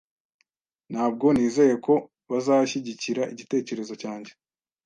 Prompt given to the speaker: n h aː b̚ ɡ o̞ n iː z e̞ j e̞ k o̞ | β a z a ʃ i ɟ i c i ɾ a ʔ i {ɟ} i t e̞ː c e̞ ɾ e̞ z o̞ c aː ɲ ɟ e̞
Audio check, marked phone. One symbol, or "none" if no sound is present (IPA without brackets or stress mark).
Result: ɟ